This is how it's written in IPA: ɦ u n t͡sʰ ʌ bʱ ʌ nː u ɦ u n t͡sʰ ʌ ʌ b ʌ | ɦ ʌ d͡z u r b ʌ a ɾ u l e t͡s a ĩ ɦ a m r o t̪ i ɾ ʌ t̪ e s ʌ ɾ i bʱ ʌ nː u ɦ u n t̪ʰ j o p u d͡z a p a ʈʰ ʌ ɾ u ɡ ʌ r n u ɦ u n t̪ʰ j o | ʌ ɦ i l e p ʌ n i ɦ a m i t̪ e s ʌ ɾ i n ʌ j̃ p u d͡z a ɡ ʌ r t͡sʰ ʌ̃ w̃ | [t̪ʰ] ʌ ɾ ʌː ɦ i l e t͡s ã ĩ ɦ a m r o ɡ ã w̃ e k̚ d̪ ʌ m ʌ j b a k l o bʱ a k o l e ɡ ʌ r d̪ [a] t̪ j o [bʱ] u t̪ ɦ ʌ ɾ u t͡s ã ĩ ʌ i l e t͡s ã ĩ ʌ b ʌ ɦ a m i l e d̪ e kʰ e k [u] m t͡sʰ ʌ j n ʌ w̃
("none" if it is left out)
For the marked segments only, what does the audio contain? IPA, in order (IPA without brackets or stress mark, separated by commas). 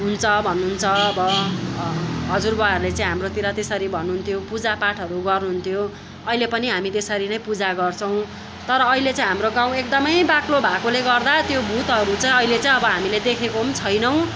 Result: t̪, a, bʱ, o